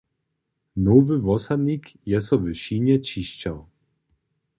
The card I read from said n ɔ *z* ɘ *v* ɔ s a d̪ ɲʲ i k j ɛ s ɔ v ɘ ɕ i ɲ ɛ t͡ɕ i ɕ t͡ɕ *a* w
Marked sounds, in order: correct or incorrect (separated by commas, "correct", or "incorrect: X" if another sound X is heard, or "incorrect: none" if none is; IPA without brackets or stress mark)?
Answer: incorrect: v, correct, correct